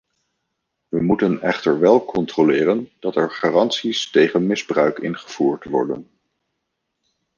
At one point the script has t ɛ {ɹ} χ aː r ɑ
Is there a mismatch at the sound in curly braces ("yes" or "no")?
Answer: no